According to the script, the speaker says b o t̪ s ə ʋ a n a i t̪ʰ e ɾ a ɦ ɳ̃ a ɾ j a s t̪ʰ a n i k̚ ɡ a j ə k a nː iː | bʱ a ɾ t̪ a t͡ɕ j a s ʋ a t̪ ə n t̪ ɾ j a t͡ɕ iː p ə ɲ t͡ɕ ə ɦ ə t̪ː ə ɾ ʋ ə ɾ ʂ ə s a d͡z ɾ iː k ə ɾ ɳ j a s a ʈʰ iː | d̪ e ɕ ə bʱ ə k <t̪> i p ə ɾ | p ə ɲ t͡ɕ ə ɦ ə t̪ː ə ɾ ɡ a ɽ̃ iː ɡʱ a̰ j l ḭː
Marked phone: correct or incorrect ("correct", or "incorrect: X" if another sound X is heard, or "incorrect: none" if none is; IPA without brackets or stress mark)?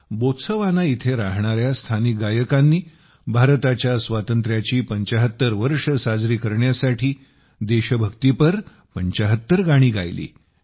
correct